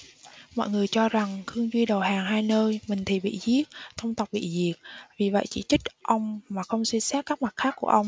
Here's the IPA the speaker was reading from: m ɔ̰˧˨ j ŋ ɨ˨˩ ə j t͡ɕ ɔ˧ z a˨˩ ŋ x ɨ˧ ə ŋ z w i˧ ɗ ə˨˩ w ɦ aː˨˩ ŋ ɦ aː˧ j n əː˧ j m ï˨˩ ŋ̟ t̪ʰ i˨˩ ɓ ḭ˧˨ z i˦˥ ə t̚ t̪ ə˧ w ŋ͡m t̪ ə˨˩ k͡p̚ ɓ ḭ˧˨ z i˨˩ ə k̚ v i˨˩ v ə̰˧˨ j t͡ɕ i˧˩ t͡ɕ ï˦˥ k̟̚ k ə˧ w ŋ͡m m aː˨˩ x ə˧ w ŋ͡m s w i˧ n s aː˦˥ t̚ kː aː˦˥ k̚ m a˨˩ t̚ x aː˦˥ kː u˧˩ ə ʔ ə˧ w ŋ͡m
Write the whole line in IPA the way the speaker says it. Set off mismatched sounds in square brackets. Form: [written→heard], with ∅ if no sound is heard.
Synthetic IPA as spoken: m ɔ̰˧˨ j ŋ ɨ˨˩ ə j t͡ɕ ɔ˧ z a˨˩ ŋ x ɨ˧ ə ŋ z w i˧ ɗ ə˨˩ w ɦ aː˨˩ ŋ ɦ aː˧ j n əː˧ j m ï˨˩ ŋ̟ t̪ʰ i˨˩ ɓ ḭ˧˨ z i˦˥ ə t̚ [t̪→t̪ʰ] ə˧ w ŋ͡m t̪ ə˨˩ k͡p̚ ɓ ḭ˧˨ z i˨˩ ə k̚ v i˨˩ v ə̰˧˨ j t͡ɕ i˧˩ t͡ɕ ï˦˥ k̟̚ [k→ʔ] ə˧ w ŋ͡m m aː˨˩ x ə˧ w ŋ͡m s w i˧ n s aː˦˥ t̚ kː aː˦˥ k̚ m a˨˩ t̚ x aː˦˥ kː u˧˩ ə ʔ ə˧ w ŋ͡m